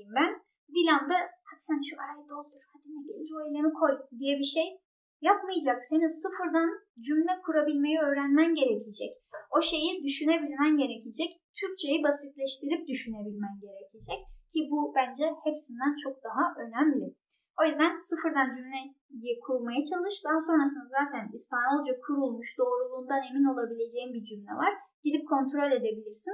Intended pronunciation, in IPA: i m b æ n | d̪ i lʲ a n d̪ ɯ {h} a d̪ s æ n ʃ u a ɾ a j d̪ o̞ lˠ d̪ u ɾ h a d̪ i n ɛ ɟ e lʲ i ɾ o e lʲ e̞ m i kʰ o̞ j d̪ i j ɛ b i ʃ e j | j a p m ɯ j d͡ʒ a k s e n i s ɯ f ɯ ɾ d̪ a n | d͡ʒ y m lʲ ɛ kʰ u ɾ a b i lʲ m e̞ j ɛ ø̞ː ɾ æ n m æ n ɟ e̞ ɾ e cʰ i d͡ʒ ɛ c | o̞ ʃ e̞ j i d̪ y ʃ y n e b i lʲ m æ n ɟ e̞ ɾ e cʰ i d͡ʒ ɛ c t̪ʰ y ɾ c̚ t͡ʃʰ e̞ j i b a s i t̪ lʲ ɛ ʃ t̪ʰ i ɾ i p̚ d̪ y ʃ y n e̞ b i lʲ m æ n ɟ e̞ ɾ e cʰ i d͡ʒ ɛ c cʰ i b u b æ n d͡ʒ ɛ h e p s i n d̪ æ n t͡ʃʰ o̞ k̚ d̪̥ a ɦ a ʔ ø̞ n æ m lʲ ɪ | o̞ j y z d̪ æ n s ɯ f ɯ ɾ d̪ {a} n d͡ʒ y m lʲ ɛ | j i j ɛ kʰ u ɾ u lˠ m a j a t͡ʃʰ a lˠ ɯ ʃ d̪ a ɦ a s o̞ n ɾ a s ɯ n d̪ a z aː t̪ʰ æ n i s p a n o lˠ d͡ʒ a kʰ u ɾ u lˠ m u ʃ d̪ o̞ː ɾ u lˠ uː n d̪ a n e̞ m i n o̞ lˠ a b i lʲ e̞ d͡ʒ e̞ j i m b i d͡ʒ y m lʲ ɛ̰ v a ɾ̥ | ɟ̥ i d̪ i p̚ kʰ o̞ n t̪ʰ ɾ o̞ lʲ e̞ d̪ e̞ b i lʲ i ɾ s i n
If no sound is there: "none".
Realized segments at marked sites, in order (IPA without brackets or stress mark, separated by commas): h, a